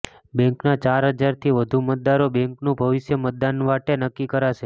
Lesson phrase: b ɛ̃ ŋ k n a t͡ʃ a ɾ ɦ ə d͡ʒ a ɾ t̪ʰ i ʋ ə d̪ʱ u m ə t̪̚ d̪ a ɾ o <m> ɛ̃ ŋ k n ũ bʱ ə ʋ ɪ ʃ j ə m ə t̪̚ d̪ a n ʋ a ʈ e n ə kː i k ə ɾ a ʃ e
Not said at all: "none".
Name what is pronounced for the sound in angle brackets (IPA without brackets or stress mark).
b